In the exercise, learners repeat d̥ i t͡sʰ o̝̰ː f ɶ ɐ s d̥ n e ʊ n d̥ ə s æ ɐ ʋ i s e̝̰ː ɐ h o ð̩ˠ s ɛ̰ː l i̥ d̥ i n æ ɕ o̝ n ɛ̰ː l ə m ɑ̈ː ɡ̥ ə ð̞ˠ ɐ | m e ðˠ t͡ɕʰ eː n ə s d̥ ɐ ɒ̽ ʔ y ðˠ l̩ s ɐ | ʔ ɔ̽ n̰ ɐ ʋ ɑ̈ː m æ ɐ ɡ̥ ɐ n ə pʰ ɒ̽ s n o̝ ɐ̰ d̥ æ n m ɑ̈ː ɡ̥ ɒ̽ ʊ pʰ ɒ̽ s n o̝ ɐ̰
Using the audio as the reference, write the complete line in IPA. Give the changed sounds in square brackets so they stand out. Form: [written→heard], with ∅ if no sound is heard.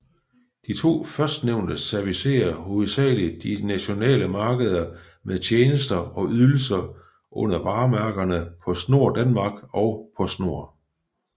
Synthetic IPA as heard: d̥ i t͡sʰ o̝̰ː f ɶ ɐ s d̥ n e ʊ n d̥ ə s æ ɐ ʋ i s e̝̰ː ɐ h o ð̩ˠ s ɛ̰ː l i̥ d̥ i n æ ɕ o̝ n ɛ̰ː l ə m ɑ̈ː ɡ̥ ə ð̞ˠ ɐ | m e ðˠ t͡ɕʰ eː n ə s d̥ ɐ ɒ̽ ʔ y ðˠ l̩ s ɐ | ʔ ɔ̽ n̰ ɐ ʋ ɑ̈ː m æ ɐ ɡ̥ ɐ n ə pʰ ɒ̽ s n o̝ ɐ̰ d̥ æ n m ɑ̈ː ɡ̥ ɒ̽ ʊ pʰ ɒ̽ s n o̝ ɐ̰